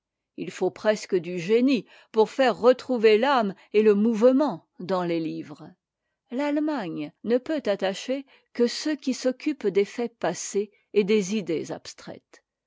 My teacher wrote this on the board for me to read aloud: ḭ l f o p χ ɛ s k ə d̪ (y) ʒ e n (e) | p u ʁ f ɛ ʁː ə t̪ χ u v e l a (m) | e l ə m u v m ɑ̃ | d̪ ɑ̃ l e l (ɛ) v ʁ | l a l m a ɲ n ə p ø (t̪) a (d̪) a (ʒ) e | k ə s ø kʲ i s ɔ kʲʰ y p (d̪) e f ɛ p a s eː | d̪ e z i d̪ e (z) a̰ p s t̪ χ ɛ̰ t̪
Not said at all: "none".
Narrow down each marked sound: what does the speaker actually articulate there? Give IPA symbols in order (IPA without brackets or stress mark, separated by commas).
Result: y, i, m, i, t̪, t̪, ʃ, d̪, z